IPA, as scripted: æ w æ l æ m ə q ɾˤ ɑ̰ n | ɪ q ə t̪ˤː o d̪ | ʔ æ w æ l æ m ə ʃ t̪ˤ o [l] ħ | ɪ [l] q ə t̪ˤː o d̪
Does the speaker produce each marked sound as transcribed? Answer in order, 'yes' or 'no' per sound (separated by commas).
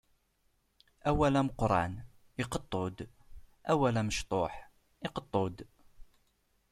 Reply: no, no